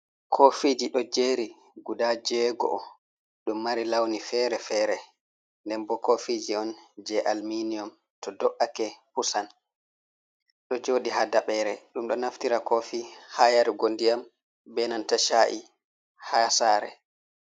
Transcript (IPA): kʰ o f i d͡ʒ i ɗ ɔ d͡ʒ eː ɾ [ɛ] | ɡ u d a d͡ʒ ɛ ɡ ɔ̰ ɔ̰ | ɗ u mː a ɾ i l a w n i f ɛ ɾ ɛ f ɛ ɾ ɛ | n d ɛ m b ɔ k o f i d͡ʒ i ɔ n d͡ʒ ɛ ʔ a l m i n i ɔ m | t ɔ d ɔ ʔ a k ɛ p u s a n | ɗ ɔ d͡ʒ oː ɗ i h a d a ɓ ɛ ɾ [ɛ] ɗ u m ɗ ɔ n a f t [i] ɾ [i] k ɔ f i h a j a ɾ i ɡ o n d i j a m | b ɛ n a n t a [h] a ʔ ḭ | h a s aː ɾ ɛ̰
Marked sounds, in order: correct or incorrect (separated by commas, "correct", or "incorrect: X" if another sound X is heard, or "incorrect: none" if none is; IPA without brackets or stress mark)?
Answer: incorrect: i, correct, correct, incorrect: a, incorrect: ʃ